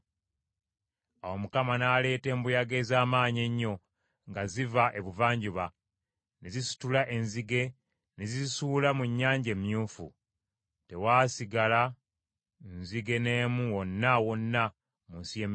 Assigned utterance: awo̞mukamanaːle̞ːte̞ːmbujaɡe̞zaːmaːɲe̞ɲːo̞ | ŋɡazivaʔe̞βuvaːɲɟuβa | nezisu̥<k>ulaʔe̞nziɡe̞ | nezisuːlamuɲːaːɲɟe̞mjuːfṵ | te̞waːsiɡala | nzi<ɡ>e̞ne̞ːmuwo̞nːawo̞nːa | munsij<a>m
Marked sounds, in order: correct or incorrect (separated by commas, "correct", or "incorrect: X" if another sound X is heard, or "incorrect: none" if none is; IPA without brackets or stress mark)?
incorrect: t, correct, incorrect: e